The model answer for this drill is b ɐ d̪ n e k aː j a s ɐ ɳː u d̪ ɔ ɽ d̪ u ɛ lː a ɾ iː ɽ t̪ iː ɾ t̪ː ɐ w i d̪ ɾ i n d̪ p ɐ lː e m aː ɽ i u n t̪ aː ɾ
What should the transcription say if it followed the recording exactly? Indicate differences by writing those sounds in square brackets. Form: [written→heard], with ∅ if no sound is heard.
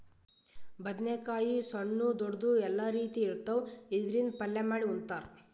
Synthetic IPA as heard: b ɐ d̪ n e k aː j [a→i] s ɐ ɳː u d̪ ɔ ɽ d̪ u ɛ lː a ɾ iː [ɽ→∅] t̪ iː ɾ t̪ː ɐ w i d̪ ɾ i n d̪ p ɐ lː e m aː ɽ i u n t̪ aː ɾ